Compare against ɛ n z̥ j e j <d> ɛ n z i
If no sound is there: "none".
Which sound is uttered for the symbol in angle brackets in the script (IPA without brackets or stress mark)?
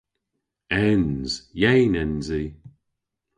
n